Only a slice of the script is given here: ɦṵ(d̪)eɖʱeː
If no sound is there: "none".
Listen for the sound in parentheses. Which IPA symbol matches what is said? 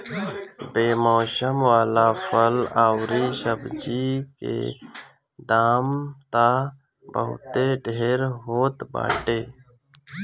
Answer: t̪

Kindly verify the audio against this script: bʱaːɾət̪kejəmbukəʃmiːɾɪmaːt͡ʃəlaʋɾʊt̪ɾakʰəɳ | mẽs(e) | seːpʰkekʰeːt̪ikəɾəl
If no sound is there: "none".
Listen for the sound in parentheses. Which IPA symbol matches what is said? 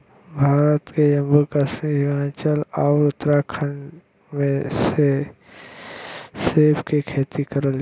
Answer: e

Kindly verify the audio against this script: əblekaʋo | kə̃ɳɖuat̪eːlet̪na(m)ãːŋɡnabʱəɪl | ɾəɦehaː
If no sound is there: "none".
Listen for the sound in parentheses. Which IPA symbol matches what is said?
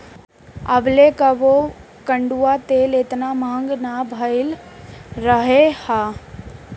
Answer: m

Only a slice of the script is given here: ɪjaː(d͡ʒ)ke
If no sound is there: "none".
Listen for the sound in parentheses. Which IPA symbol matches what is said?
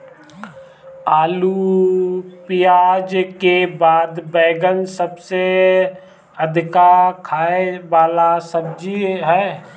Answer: d͡ʒ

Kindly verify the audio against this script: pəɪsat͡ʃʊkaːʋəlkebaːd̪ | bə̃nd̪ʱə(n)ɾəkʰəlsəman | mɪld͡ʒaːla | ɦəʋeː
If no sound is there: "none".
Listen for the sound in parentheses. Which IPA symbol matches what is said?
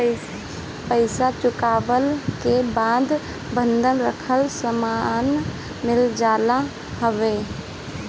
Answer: n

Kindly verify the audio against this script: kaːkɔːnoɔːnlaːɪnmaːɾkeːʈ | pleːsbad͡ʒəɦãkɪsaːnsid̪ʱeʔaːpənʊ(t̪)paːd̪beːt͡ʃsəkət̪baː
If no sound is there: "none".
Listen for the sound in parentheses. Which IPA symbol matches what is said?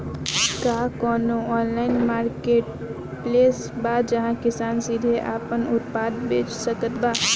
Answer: t̪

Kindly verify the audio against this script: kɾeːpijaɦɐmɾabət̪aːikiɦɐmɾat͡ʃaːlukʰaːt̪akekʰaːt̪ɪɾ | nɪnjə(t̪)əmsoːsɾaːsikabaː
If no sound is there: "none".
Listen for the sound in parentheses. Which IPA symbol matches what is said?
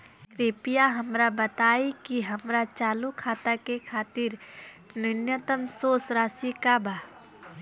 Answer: t̪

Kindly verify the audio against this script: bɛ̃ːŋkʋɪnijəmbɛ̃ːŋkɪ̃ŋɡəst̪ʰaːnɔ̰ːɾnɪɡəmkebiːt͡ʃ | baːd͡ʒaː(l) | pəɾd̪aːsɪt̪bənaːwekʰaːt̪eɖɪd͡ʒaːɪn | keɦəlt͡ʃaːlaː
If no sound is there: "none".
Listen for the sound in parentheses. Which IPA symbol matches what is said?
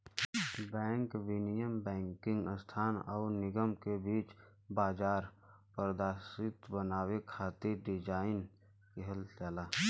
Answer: ɾ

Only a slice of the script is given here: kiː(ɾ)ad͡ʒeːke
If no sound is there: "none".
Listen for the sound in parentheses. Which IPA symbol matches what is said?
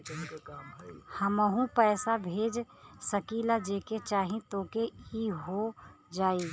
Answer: l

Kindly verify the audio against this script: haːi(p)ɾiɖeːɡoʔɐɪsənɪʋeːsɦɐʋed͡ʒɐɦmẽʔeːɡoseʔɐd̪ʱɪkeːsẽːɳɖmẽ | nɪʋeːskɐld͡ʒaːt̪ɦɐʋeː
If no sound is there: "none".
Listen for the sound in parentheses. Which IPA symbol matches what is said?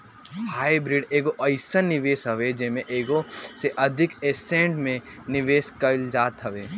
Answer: b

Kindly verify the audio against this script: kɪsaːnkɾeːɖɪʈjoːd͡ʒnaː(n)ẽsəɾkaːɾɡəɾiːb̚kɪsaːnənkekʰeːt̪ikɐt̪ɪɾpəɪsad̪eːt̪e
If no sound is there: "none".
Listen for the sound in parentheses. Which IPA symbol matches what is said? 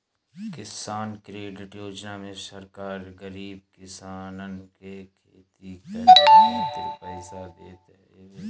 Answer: m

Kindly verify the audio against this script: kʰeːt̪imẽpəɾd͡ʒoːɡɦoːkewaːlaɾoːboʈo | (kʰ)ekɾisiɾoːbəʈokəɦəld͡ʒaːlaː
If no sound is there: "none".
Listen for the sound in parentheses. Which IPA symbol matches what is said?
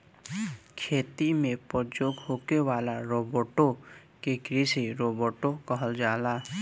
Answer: k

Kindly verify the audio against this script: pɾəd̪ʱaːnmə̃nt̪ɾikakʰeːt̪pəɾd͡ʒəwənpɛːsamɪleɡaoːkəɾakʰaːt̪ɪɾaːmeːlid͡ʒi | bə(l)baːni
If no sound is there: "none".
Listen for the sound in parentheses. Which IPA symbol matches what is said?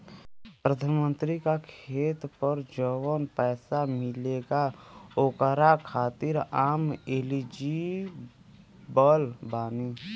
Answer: l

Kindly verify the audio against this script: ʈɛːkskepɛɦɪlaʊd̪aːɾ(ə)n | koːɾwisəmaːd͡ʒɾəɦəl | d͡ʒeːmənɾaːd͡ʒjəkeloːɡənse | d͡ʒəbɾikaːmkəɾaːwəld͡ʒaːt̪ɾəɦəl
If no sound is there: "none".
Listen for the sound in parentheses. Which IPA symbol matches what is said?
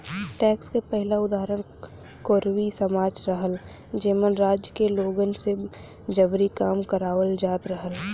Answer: ə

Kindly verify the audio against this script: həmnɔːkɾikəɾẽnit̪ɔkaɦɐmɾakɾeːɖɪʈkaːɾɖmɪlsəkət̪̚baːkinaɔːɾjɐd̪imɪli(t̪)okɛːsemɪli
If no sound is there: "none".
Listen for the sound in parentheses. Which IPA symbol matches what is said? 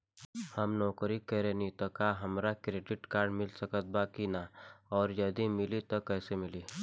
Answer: t̪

